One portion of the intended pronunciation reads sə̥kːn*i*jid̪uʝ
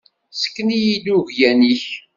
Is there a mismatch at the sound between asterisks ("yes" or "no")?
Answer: no